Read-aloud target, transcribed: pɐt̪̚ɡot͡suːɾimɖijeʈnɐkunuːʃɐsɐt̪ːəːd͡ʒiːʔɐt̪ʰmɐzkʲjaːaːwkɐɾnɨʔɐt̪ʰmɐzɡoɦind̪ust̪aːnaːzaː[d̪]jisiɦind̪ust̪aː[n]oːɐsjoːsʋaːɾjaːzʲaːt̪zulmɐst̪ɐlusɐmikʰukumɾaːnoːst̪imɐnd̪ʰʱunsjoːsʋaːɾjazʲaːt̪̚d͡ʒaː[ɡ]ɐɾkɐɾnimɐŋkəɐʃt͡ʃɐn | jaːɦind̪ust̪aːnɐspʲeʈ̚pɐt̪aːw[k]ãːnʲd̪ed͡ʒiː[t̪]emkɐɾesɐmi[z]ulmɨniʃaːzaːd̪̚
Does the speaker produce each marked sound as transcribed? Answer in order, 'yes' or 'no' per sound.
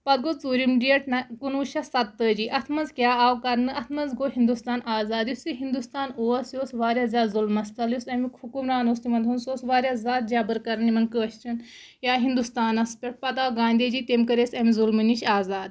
yes, yes, no, no, yes, yes

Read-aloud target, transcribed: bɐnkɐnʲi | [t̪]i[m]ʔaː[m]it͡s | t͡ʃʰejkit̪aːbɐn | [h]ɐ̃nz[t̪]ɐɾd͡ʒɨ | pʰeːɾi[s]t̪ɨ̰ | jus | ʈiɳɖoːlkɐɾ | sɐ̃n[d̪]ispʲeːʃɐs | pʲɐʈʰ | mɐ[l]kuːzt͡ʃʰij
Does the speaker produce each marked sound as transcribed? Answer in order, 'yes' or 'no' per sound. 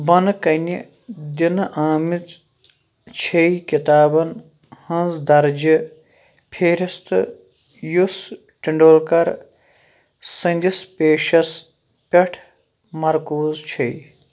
no, no, yes, yes, no, yes, yes, no

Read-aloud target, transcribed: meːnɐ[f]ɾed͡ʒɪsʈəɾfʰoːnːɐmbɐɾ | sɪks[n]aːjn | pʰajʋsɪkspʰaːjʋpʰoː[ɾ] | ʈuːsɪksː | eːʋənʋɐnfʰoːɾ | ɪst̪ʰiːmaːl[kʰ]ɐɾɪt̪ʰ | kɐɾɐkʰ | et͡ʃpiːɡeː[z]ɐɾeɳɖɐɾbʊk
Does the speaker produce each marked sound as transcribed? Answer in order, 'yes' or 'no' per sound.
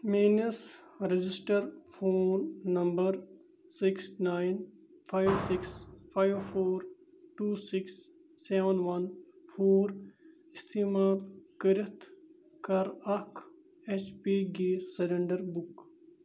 no, yes, yes, no, no

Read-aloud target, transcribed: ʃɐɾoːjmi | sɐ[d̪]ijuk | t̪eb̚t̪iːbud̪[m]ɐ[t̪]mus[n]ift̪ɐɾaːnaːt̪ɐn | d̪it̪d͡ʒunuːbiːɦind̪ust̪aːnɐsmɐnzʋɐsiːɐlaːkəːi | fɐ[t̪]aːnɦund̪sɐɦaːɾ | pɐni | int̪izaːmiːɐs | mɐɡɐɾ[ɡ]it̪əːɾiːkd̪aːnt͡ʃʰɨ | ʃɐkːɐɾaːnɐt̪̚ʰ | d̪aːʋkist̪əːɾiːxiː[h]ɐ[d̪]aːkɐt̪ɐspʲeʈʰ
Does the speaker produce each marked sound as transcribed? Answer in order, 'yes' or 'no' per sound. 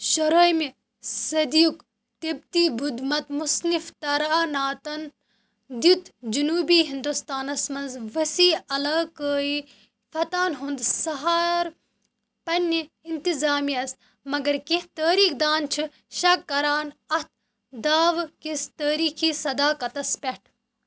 yes, yes, yes, yes, yes, no, no, yes

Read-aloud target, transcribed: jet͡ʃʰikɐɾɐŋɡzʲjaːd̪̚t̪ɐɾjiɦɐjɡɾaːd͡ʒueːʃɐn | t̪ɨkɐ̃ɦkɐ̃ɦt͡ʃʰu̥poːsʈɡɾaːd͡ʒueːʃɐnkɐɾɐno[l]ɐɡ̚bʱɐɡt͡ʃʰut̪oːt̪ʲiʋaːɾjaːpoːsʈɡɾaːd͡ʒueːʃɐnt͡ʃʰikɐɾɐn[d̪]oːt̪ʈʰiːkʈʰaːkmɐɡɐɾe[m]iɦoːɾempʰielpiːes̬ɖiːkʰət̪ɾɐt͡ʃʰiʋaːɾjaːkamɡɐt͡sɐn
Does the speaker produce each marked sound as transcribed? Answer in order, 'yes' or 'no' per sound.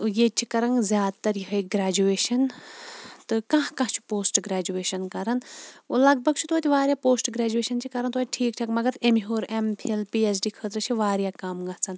yes, no, yes

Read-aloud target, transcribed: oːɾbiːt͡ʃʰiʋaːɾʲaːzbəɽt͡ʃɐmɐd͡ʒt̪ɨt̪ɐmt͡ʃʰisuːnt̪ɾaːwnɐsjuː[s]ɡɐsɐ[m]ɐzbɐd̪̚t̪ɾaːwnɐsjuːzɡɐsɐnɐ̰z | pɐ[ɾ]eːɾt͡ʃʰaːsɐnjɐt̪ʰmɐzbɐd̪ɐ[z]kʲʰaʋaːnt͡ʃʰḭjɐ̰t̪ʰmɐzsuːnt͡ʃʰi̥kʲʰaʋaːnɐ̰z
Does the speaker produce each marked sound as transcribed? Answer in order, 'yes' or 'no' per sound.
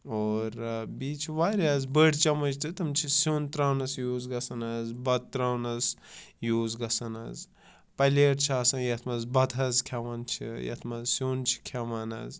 no, no, no, yes

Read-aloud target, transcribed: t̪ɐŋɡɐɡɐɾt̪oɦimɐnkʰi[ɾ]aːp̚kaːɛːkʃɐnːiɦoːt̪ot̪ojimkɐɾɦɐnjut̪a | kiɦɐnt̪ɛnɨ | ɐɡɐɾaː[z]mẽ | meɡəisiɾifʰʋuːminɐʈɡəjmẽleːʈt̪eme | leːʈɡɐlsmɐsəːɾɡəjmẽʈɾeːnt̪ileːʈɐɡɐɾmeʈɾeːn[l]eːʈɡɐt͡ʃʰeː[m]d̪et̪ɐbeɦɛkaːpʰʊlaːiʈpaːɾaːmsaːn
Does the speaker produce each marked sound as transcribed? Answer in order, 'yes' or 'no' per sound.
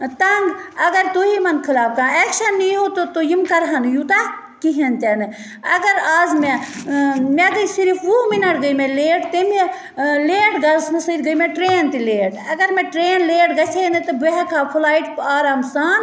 no, yes, yes, no

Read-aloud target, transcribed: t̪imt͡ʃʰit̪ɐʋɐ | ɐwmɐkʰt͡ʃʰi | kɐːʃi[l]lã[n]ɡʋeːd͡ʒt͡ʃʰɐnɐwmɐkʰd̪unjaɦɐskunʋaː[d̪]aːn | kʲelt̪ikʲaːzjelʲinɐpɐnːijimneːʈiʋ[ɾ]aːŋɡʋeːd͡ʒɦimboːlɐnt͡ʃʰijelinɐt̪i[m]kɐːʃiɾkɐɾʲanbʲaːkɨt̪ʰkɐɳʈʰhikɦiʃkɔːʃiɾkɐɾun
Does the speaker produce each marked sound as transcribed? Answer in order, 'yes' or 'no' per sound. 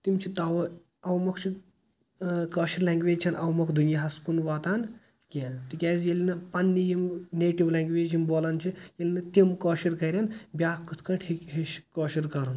no, no, no, no, yes

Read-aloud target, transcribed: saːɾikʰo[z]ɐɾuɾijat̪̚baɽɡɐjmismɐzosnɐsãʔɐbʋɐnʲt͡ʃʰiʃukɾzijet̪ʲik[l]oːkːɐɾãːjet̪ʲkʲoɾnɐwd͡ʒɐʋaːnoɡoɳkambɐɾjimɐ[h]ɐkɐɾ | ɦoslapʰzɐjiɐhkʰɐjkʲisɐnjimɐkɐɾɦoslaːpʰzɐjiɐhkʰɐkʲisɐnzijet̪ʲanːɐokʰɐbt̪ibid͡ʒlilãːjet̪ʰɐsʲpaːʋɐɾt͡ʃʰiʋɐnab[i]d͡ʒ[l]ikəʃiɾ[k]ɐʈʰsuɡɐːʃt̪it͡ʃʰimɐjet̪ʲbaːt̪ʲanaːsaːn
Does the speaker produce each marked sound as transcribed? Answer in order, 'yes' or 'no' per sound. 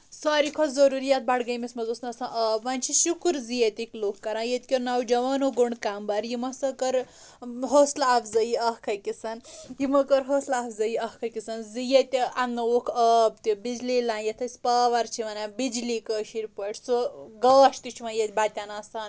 yes, yes, no, yes, yes, no

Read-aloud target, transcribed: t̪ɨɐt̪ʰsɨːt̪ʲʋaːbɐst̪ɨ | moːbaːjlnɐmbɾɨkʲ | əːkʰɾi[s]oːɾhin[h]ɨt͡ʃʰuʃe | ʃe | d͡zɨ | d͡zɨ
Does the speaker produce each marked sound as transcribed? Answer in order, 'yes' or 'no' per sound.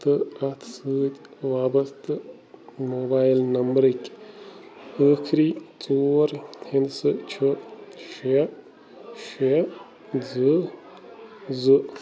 no, no

